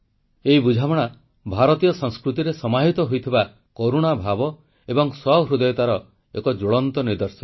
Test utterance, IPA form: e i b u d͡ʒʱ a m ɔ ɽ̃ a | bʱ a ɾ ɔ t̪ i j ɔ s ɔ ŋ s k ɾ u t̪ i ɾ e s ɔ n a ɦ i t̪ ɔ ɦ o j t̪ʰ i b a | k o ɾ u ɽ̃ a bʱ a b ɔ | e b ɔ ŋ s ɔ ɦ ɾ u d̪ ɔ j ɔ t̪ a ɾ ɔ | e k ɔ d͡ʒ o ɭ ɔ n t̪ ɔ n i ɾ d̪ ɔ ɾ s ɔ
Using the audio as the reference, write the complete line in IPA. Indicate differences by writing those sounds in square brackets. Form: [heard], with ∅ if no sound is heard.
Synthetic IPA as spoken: e i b u d͡ʒʱ a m ɔ ɽ̃ a | bʱ a ɾ ɔ t̪ i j ɔ s ɔ ŋ s k ɾ u t̪ i ɾ e s ɔ [m] a ɦ i t̪ ɔ ɦ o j t̪ʰ i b a | k o ɾ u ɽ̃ a bʱ a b ɔ | e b ɔ ŋ s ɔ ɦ ɾ u d̪ ɔ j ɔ t̪ a ɾ ɔ | e k ɔ d͡ʒ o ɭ ɔ n t̪ ɔ n i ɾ d̪ ɔ ɾ s ɔ